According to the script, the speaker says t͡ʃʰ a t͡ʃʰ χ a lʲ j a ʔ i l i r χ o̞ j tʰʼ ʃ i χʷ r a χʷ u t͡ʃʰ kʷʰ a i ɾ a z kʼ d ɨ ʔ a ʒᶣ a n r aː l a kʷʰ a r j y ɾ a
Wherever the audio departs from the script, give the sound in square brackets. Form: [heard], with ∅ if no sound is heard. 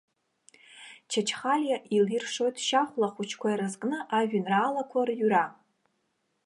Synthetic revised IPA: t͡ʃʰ a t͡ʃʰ χ a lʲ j a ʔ i l i r [ʂ] o̞ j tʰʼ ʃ [a] χʷ [l] a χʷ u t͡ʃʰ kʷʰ a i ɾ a z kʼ [n] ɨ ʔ a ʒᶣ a n r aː l a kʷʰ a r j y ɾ a